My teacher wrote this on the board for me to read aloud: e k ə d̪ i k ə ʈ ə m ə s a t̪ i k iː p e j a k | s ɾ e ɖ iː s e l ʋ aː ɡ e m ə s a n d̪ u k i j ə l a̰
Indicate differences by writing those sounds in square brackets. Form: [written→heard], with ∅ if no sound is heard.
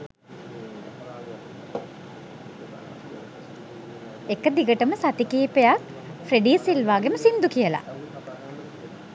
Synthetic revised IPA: e k ə d̪ i [k→ɡ] ə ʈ ə m ə s a t̪ i k iː p e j a k | [s→f] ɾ e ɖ iː s [e→i] l ʋ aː ɡ e m ə s [a→i] n d̪ u k i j ə l a̰

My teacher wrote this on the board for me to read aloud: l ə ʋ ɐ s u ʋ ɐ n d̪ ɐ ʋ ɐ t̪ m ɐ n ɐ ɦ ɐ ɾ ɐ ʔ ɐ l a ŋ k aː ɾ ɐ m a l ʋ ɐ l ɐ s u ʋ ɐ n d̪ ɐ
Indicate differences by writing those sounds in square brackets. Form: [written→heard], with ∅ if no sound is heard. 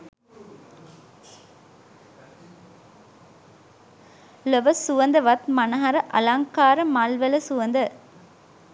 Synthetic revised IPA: l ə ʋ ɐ s u ʋ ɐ n d̪ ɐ ʋ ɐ t̪ m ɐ n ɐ ɦ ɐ ɾ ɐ ʔ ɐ l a ŋ k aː ɾ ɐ m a l ʋ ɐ l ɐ s u ʋ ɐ n d̪ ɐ

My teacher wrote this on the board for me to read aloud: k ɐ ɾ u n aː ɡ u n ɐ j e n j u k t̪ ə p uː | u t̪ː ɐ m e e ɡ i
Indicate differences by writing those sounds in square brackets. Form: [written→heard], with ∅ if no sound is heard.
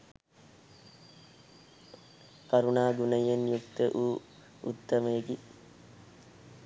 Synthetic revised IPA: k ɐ ɾ u n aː ɡ u n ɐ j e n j u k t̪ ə [p→ʔ] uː | u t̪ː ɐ m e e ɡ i

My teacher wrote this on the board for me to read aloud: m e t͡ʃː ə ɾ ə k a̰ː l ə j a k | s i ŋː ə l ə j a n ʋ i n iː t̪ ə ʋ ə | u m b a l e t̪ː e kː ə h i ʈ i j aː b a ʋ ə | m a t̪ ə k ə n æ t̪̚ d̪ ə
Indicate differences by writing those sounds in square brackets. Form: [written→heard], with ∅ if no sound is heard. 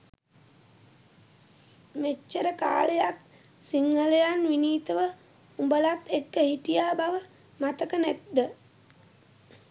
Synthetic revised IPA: m e t͡ʃː ə ɾ ə k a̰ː l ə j a k | s i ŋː ə l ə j a n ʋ i n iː t̪ ə ʋ ə | u m b [a→ə] l [e→a] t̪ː e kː ə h i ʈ i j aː b a ʋ ə | m a t̪ ə k ə n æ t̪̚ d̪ ə

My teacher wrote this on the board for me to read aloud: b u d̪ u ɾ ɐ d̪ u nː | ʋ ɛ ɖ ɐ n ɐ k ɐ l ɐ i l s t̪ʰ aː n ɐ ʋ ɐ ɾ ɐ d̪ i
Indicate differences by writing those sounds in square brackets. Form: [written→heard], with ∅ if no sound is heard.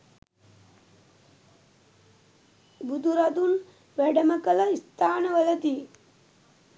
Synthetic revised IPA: b u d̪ u ɾ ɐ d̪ u [nː→n] | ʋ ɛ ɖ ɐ [n→m] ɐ k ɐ l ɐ i [l→∅] s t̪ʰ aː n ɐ ʋ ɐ [ɾ→l] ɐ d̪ i

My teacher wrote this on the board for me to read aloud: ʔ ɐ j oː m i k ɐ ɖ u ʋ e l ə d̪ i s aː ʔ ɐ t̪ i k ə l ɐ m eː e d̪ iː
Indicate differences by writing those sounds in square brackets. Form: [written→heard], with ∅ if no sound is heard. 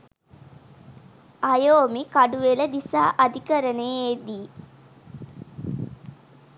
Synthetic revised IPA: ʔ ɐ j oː m i k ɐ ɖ u ʋ e l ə d̪ i s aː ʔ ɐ [t̪→d̪] i k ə [l→ɾ] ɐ [m→n] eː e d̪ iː

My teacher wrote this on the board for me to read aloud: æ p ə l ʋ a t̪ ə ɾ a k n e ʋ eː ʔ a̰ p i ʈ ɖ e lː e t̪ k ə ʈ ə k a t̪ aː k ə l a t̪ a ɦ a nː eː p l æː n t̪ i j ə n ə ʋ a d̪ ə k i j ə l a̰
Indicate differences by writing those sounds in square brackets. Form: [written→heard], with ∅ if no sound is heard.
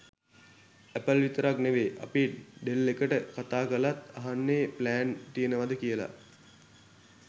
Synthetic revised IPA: æ p ə l ʋ [a→i] t̪ ə ɾ a k n e ʋ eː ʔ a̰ p i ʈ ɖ e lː e [t̪→∅] k ə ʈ ə k a t̪ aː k ə l a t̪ a ɦ a nː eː p l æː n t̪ i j ə n ə ʋ a d̪ ə k i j ə l a̰

